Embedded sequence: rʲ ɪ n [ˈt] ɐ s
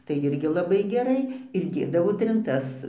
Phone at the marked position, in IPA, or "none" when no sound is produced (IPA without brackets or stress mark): t